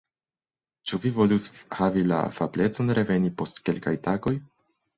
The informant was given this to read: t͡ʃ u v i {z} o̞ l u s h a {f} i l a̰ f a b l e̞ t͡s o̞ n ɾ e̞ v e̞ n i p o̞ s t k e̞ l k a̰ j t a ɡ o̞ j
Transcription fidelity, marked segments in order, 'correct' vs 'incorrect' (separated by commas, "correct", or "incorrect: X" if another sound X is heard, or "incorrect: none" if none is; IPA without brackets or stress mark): incorrect: v, incorrect: v